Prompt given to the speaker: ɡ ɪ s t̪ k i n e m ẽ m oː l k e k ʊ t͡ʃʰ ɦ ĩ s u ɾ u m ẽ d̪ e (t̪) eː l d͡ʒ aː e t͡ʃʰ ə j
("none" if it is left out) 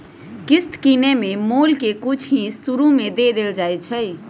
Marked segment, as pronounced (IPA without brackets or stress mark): d̪